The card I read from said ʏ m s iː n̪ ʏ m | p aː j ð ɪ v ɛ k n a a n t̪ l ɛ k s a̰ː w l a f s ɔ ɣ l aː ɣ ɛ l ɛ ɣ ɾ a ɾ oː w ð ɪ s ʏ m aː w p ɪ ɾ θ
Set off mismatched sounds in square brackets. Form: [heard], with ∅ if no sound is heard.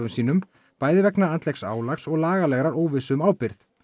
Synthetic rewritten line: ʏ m s iː n̪ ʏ m | p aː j ð ɪ v ɛ k n a a n t̪ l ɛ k s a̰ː w l a [x] s ɔ ɣ l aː ɣ [a] l ɛ ɣ ɾ a ɾ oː w [v] ɪ s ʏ m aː w p ɪ ɾ θ